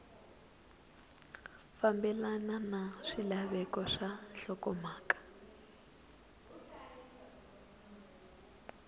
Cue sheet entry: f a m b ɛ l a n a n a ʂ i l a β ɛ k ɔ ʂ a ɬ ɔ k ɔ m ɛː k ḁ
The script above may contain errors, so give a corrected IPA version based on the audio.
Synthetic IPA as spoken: f a m b ɛ l a n a n a ʂ i l a β ɛ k ɔ ʂ a ɬ ɔ k ɔ m aː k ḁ

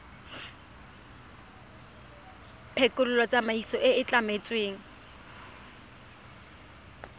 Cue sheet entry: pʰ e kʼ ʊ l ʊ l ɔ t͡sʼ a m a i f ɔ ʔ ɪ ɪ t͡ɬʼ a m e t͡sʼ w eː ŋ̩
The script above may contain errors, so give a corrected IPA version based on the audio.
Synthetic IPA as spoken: pʰ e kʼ ʊ l ʊ l ɔ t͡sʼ a m a i s ɔ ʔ ɪ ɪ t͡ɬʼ a m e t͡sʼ w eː ŋ̩

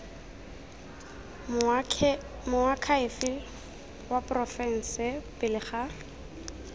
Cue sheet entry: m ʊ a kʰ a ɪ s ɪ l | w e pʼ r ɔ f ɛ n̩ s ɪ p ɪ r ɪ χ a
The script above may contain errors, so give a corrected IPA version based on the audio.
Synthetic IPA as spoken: m ʊ a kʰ a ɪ f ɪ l | w a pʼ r ɔ f ɛ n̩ s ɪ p ɪ l ɪ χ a

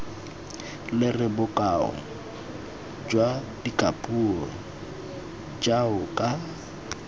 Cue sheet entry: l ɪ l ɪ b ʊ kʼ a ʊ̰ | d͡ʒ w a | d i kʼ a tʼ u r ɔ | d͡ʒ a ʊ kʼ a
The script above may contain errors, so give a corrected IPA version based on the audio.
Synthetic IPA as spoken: l ɪ r ɪ b ʊ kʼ a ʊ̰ | d͡ʒ w a | d i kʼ a pʼ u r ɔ | d͡ʒ a ʊ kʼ a

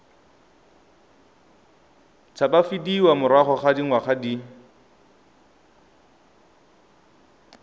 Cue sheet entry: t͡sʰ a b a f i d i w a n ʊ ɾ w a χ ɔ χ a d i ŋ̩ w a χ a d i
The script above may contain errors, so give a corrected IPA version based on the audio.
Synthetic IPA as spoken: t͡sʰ a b a f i d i w a m ʊ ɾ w a χ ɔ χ a d i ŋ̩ w a χ a d i

